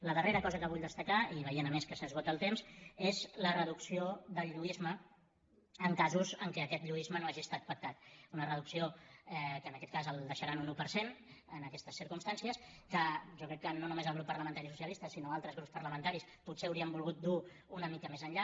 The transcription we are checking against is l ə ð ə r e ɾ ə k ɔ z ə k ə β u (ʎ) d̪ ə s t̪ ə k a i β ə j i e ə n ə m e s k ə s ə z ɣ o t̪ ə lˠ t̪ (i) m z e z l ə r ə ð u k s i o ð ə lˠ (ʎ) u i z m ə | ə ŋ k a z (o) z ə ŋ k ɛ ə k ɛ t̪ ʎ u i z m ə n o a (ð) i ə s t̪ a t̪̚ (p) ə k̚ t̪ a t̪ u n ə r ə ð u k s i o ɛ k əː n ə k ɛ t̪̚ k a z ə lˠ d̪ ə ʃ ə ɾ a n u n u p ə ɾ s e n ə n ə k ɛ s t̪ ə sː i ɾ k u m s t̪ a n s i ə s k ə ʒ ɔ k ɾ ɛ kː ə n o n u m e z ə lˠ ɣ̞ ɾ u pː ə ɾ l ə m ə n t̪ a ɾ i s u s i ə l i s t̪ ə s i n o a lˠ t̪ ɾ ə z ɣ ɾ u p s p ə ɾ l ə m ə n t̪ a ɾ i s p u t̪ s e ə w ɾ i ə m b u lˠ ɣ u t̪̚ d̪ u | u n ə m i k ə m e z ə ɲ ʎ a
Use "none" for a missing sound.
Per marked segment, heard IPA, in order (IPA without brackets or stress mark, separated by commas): ʎ, e, ʎ, u, ʒ, p